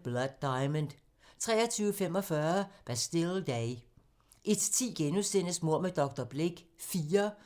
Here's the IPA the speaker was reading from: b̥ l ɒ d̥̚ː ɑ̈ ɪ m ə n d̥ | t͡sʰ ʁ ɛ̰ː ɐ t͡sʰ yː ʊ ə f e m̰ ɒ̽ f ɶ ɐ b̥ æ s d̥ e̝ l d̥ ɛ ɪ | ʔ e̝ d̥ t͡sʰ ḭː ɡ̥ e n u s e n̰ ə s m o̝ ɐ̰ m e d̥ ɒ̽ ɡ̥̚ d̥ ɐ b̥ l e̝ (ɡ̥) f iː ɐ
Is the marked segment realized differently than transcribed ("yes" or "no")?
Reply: no